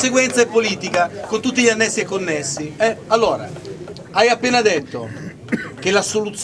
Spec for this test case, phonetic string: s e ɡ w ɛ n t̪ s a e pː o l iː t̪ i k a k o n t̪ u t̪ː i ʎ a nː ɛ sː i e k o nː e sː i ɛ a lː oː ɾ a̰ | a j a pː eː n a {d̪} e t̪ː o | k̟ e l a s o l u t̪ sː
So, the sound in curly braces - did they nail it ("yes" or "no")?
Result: yes